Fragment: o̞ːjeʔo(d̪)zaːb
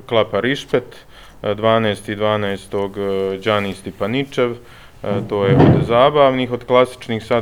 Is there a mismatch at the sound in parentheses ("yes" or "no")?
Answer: no